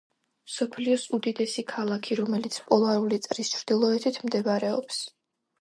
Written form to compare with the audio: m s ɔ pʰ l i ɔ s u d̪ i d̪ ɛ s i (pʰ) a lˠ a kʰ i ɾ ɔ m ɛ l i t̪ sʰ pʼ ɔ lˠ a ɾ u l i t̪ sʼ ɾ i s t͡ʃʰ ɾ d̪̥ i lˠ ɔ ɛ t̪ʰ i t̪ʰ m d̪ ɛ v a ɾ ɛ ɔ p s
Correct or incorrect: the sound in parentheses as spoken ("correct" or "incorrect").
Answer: incorrect